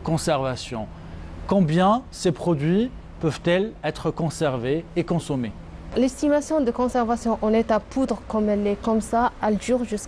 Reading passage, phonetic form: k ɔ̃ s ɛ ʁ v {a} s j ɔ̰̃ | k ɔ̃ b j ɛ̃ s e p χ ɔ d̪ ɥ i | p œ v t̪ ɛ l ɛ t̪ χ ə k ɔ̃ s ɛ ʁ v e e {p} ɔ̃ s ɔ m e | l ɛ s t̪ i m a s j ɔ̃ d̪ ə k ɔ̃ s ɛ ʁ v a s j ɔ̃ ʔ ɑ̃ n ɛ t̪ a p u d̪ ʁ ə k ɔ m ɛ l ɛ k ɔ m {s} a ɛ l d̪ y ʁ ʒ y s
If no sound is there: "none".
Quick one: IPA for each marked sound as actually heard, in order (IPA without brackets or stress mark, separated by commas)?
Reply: a, k, s